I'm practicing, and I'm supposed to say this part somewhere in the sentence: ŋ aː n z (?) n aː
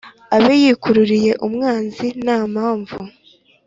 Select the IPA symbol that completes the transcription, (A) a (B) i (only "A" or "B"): B